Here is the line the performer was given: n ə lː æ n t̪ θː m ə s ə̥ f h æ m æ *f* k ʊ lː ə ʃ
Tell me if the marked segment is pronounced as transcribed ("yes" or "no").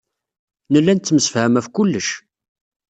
yes